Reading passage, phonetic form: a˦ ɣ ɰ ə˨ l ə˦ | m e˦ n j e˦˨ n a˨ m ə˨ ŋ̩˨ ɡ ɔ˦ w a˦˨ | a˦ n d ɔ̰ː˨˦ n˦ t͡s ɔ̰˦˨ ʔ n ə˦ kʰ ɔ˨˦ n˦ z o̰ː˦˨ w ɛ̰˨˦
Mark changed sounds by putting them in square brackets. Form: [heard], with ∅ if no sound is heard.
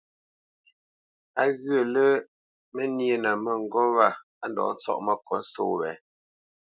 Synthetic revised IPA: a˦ ɣ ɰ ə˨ l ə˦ | m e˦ n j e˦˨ n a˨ m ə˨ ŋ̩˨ ɡ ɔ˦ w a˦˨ | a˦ n d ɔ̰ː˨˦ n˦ t͡s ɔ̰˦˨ ʔ [m] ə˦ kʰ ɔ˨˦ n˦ [s] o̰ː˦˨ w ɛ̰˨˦